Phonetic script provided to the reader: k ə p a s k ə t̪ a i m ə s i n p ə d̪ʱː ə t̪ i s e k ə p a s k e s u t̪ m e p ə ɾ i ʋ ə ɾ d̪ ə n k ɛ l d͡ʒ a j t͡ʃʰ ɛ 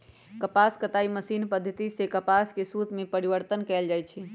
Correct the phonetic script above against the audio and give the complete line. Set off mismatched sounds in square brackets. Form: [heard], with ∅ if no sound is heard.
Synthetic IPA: k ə p a s k ə t̪ a i m ə s i n p ə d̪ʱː ə t̪ i s e k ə p a s k e s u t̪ m e p ə ɾ i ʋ ə ɾ [t̪] ə n k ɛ l d͡ʒ a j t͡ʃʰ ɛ